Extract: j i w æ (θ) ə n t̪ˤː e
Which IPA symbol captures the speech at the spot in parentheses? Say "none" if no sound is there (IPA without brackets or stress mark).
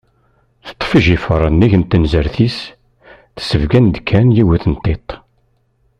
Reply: θ